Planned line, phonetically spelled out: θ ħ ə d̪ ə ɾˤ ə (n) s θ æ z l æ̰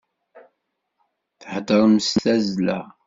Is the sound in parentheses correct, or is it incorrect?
incorrect